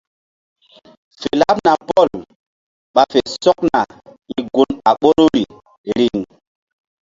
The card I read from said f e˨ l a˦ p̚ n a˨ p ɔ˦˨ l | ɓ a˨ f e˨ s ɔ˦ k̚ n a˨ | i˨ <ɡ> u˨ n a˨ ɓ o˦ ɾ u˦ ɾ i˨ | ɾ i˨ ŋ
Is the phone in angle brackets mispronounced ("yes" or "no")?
no